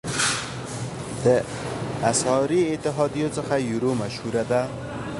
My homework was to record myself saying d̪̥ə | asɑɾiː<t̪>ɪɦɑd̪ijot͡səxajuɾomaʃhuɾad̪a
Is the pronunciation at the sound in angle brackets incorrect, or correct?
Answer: correct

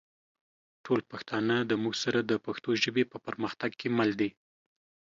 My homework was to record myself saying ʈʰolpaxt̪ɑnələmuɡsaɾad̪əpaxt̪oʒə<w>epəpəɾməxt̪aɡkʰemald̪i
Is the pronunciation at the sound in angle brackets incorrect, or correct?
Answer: incorrect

